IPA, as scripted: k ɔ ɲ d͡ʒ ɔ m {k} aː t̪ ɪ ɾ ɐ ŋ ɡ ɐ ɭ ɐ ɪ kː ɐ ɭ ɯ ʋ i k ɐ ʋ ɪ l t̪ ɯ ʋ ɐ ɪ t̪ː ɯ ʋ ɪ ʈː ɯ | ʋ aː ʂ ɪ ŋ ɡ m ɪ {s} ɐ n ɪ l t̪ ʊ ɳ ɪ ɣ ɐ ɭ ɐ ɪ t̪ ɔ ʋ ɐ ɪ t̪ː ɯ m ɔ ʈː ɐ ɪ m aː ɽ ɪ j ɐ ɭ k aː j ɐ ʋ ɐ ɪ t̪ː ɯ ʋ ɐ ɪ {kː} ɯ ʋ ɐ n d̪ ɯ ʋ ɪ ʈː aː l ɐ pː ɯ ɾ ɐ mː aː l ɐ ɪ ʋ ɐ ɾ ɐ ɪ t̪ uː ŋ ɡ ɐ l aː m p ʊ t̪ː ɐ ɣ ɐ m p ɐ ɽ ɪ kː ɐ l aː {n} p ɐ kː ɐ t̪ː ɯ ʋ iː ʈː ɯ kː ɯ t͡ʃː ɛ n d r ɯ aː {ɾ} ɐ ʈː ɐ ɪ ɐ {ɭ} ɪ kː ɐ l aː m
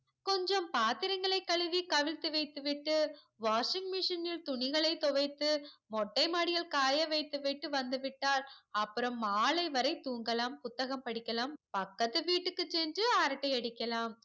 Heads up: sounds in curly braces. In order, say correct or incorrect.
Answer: incorrect, incorrect, incorrect, incorrect, correct, incorrect

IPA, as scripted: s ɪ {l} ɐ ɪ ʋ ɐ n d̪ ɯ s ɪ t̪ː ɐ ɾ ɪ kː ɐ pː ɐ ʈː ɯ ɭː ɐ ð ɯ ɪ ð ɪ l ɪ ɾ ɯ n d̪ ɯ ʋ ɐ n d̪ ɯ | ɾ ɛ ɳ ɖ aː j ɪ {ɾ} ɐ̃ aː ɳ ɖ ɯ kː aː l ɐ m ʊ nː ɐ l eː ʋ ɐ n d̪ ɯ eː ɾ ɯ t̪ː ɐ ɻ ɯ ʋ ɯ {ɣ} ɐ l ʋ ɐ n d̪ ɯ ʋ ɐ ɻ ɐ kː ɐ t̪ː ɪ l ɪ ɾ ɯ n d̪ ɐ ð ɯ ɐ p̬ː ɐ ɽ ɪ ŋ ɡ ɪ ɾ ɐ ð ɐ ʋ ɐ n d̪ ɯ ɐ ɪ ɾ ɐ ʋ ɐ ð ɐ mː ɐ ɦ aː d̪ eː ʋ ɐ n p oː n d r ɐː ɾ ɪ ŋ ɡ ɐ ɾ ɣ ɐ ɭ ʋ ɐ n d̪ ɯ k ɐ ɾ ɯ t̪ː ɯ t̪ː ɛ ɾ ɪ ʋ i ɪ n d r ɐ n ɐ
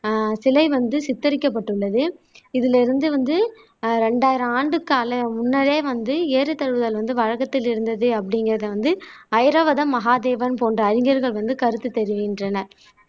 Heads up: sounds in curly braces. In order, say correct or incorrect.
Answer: correct, correct, incorrect

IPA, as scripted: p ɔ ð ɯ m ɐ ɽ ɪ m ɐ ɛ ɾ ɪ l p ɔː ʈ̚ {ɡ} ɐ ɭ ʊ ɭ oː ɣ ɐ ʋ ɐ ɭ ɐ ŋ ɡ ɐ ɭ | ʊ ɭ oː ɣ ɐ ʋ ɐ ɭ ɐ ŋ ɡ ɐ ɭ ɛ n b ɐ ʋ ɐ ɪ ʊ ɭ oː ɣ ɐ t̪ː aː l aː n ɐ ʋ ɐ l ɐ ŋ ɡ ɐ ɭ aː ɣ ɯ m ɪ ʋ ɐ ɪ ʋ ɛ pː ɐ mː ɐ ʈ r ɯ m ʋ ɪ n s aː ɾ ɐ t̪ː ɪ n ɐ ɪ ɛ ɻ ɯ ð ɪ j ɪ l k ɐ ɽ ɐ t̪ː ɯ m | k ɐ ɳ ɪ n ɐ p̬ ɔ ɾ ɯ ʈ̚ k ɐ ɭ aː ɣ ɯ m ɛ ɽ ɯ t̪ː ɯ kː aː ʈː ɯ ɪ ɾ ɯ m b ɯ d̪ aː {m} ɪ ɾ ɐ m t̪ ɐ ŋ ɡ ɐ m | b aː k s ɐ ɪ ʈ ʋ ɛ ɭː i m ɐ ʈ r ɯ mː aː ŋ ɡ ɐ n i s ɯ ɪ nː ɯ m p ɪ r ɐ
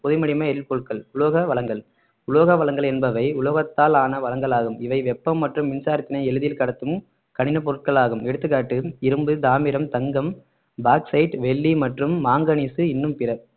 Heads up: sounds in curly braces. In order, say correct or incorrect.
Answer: incorrect, correct

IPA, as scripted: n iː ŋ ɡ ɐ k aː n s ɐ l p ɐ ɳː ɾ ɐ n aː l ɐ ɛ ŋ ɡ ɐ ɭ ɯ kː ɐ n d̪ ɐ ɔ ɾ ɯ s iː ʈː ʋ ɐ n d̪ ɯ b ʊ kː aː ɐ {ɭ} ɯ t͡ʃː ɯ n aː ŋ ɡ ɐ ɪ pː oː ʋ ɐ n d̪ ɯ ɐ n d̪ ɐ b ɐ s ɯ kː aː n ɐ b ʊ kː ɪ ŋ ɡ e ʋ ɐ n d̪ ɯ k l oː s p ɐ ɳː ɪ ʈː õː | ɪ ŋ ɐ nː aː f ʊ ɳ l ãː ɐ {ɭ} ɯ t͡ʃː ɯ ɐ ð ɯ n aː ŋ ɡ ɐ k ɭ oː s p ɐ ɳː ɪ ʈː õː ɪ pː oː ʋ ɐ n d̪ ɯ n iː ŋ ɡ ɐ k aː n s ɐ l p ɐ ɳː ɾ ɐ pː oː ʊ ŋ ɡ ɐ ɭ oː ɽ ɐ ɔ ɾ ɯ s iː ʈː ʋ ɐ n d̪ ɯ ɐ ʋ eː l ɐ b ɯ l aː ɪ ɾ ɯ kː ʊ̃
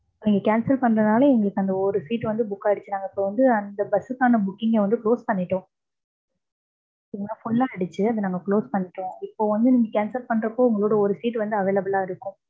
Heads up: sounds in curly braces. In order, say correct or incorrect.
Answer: incorrect, incorrect

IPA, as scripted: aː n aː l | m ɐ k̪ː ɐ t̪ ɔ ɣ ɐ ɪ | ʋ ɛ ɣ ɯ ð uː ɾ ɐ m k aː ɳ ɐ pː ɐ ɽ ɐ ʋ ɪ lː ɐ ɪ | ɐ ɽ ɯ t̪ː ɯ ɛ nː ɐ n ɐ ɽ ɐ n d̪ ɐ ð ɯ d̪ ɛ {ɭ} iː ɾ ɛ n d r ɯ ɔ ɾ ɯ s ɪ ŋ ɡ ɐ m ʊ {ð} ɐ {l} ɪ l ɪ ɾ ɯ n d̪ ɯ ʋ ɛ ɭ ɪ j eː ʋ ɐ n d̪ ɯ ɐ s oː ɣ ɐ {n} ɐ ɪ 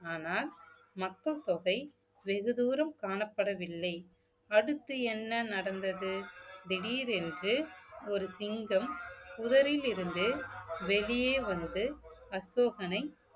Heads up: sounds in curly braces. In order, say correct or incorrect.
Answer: incorrect, correct, incorrect, correct

